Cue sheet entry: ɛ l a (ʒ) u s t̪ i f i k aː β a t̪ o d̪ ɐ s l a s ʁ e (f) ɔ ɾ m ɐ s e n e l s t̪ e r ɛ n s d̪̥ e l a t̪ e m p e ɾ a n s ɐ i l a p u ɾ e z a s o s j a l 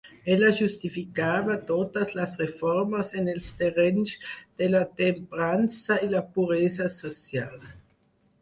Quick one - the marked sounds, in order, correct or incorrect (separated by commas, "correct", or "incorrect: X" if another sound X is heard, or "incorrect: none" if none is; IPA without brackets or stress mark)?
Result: correct, correct